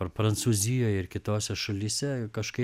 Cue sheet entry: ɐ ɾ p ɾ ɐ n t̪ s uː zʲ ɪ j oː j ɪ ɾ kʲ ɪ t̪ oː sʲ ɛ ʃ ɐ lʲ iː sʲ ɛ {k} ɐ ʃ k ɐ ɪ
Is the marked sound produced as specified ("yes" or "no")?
yes